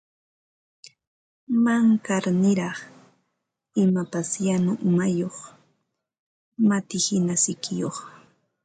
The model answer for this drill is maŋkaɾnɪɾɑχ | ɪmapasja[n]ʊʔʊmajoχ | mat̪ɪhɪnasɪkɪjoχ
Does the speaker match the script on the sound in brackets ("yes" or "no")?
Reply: yes